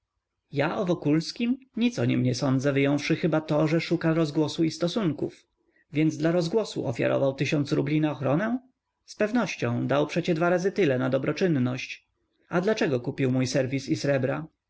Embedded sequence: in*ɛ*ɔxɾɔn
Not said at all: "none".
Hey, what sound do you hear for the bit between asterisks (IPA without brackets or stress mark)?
a